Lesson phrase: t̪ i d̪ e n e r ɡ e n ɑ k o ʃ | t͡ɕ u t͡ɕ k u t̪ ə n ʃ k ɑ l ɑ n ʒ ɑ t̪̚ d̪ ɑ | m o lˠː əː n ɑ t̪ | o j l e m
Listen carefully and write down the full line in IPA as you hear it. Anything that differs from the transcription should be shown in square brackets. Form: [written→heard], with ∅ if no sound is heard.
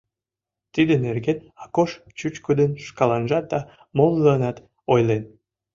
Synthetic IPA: t̪ i d̪ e n e r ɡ e n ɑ k o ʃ | t͡ɕ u t͡ɕ k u [t̪→d̪] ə n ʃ k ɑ l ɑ n ʒ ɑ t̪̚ d̪ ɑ | m o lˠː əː n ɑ t̪ | o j l e [m→n]